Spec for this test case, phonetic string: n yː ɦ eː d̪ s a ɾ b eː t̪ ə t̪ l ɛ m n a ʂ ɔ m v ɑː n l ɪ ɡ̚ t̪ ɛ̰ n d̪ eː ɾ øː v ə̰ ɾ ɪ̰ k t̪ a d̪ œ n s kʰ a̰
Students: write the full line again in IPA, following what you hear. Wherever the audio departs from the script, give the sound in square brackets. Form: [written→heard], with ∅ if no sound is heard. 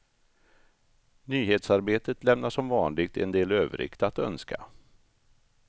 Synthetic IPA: n yː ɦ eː [d̪→t̪] s a ɾ b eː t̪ ə t̪ l ɛ m n a ʂ ɔ m v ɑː n l ɪ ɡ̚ t̪ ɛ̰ n d̪ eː [ɾ→l] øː v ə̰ ɾ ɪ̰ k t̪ a [d̪→t̪] œ n s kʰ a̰